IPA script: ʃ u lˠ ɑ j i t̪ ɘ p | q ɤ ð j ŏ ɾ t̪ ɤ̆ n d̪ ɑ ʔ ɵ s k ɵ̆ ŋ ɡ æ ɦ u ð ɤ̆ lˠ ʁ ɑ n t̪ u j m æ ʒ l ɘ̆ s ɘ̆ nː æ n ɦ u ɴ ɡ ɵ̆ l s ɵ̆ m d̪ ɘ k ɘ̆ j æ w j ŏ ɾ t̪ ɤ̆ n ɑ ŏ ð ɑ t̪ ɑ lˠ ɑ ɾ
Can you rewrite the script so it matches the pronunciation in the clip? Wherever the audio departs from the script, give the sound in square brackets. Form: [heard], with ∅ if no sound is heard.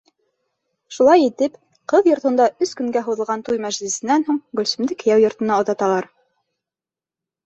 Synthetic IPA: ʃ u lˠ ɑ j i t̪ ɘ p | q ɤ ð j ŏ ɾ t̪ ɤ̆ n d̪ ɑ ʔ ɵ s k ɵ̆ ŋ ɡ æ ɦ u ð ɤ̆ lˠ ʁ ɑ n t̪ u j m æ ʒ l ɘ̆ s ɘ̆ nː æ n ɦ u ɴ ɡ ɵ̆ l s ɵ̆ m d̪ ɘ k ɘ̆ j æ w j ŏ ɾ t̪ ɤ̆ n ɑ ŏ ð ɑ t̪ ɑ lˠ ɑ ɾ